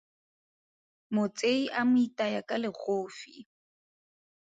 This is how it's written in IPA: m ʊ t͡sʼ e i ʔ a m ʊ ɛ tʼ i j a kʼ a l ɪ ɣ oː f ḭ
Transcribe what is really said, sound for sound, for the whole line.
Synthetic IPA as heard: m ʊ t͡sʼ e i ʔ a m ʊ i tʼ a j a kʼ a l ɪ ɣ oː f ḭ